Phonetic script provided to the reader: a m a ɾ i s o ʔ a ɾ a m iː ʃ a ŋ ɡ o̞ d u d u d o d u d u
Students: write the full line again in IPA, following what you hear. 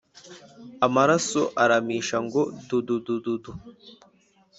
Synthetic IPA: a m a ɾ a s o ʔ a ɾ a m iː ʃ a ŋ ɡ o̞ d u d u d u d u d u

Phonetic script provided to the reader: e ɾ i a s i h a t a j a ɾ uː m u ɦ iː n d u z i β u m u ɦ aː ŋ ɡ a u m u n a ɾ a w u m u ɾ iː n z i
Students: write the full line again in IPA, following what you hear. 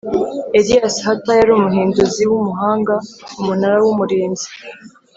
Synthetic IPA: e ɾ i a s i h a t a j a ɾ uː m u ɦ iː n d u z i w u m u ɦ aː ŋ ɡ a u m u n a ɾ a w u m u ɾ iː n z i

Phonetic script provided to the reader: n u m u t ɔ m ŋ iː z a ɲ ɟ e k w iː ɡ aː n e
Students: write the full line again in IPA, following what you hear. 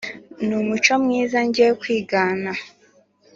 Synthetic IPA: n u m u t͡ʃ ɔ m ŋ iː z a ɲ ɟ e k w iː ɡ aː n a

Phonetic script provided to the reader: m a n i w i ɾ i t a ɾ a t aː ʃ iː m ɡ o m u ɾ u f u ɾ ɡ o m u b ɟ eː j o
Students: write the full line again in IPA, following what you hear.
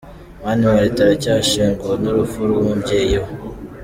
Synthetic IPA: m a n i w a ɾ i t a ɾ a c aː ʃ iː ŋ ɡ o n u ɾ u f u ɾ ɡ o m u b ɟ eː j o

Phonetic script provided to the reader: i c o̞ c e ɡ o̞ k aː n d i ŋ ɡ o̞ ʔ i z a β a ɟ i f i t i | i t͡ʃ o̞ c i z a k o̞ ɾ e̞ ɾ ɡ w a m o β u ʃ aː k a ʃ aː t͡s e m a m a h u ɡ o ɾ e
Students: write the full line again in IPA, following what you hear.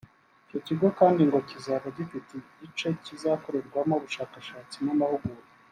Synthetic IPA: i c o̞ c i ɡ o̞ k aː n d i ŋ ɡ o̞ c i z a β a ɟ i f i t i | i t͡ʃ o̞ c i z a k o̞ ɾ e̞ ɾ ɡ w a m o β u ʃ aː k a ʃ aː t͡s i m a m a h u ɡ u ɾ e

